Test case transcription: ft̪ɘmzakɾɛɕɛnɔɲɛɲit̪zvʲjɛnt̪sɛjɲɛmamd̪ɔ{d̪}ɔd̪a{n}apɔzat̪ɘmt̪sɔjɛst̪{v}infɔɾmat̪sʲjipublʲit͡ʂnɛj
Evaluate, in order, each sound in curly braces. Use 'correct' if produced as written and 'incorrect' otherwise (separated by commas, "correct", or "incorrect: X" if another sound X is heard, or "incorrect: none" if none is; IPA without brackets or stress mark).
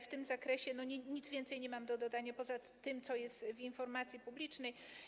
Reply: correct, incorrect: ɲ, correct